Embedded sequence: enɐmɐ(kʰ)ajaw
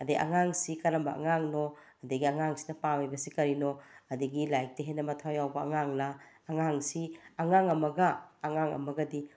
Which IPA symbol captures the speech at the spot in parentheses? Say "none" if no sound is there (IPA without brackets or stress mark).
tʰ